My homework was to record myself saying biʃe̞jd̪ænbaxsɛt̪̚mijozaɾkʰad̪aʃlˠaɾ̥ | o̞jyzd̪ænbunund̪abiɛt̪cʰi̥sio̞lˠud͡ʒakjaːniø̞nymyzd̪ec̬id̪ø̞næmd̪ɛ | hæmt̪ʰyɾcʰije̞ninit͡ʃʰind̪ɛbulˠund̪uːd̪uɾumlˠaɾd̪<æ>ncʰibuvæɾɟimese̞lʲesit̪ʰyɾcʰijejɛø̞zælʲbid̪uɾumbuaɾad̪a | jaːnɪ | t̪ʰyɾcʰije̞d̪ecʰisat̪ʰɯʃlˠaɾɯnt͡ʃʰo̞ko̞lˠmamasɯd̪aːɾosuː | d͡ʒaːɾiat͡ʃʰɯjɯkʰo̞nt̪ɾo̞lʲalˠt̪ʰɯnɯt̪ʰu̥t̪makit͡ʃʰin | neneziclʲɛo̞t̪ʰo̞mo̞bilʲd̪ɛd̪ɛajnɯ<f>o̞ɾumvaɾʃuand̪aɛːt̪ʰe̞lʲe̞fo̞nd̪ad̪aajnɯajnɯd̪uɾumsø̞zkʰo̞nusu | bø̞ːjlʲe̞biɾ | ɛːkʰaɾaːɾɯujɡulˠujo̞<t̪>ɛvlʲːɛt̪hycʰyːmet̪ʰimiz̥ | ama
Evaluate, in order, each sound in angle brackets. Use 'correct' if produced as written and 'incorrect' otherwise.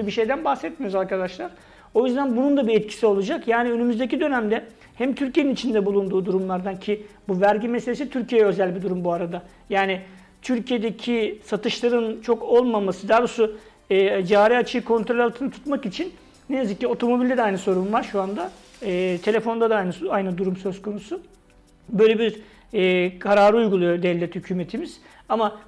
incorrect: a, incorrect: s, incorrect: d̪

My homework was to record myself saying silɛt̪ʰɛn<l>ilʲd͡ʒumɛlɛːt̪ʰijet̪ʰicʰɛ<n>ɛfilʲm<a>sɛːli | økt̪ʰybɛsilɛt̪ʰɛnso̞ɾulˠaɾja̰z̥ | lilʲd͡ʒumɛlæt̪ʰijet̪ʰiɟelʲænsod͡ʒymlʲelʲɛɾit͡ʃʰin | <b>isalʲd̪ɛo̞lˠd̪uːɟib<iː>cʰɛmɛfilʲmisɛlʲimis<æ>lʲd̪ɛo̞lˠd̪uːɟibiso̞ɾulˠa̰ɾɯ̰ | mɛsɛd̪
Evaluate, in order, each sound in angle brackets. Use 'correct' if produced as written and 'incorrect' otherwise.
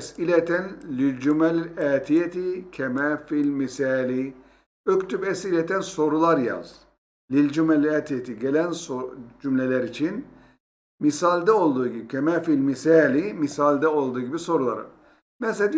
correct, incorrect: m, incorrect: i, incorrect: m, incorrect: i, incorrect: a

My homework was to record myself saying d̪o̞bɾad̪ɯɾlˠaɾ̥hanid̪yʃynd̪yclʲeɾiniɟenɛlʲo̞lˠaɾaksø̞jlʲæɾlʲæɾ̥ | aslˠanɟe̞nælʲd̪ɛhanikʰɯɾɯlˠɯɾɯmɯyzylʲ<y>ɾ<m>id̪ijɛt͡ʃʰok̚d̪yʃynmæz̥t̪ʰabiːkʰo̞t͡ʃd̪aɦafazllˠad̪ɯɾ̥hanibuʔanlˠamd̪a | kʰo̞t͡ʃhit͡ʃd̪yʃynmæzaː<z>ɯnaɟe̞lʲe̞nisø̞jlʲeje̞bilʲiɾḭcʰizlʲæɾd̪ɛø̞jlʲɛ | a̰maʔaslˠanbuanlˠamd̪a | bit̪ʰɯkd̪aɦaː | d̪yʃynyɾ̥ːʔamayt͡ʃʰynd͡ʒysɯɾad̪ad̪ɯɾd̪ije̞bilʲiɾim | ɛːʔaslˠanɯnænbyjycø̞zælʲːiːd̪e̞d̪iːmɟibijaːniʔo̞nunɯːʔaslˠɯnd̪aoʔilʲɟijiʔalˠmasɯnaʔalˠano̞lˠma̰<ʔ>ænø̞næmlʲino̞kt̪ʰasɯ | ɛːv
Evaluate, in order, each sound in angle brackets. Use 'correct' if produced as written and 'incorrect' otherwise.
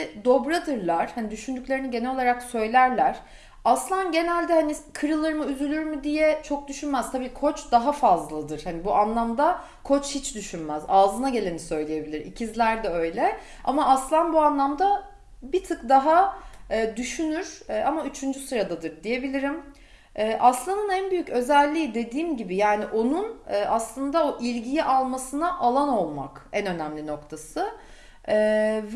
correct, correct, correct, incorrect: k

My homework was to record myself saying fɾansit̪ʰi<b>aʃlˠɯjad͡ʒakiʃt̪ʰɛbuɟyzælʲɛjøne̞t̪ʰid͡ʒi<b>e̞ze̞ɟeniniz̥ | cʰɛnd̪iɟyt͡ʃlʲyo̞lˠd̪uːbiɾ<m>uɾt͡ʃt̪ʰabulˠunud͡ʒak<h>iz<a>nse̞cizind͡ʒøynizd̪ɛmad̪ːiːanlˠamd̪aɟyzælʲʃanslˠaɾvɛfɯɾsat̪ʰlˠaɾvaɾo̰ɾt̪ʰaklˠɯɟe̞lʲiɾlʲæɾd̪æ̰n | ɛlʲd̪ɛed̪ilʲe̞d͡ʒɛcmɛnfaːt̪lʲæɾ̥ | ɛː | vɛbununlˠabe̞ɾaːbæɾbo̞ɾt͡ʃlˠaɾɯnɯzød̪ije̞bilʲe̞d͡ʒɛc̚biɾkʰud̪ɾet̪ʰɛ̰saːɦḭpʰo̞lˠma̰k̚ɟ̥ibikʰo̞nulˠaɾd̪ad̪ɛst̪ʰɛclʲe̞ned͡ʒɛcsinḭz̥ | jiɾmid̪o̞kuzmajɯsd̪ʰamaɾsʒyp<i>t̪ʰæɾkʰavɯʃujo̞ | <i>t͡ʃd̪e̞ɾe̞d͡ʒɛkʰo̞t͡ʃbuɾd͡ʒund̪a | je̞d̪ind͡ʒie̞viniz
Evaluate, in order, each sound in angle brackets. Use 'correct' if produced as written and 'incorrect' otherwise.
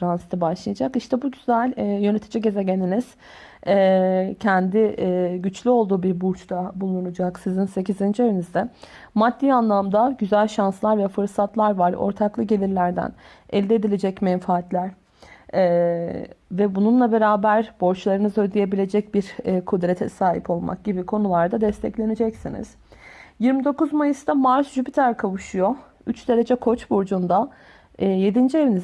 correct, incorrect: ɟ, incorrect: b, incorrect: s, incorrect: i, correct, incorrect: y

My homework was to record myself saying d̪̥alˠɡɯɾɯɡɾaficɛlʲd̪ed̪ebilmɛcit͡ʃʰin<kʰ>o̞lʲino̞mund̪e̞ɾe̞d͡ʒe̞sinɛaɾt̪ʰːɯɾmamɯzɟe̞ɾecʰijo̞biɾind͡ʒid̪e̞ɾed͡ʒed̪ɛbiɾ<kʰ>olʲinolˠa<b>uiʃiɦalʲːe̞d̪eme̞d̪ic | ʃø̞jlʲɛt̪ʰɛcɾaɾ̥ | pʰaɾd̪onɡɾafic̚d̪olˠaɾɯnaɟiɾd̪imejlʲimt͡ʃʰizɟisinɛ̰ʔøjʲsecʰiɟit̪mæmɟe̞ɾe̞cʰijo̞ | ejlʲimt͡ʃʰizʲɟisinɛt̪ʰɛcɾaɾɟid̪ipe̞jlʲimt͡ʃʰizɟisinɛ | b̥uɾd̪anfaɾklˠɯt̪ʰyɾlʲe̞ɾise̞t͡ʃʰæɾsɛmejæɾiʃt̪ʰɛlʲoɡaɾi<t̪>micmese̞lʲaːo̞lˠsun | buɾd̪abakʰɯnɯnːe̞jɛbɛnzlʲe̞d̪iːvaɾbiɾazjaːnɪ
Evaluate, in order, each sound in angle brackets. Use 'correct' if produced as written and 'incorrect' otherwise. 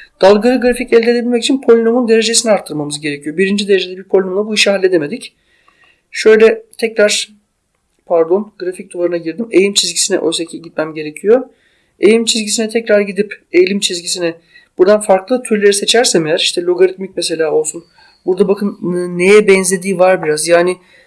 incorrect: pʰ, incorrect: pʰ, correct, correct

